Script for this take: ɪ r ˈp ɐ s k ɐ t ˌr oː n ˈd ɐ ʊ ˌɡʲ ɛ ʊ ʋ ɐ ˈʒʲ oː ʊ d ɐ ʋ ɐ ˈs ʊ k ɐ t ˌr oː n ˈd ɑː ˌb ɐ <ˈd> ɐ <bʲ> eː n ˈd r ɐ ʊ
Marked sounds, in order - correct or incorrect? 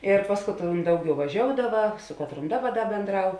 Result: correct, correct

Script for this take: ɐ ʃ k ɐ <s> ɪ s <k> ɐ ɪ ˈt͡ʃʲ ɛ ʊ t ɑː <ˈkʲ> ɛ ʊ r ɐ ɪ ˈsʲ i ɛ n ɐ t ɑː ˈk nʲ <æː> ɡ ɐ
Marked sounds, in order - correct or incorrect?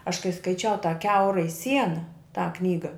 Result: incorrect, correct, correct, incorrect

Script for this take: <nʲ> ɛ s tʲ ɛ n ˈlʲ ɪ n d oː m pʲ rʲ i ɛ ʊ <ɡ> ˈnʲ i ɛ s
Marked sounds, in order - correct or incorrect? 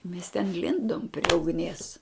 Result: incorrect, correct

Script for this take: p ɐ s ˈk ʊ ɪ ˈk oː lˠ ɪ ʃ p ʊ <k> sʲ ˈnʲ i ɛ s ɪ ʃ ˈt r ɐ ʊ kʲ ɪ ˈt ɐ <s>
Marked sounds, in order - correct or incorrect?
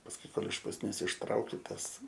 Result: incorrect, correct

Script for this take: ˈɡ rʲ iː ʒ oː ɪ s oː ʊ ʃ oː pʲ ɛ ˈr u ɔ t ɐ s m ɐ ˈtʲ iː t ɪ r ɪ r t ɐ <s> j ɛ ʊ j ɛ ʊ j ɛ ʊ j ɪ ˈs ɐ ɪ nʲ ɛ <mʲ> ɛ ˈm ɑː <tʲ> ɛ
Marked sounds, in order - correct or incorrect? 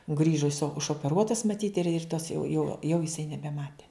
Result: correct, incorrect, correct

